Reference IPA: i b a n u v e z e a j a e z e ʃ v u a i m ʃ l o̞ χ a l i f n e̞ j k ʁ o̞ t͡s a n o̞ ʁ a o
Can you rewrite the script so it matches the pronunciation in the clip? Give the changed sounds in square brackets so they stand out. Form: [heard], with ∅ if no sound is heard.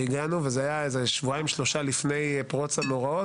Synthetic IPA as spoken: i [ɡ] a n u v e z e a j a e z e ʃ v u a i m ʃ l o̞ [ʃ] a l i f n e̞ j [p] ʁ o̞ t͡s a n o̞ ʁ a o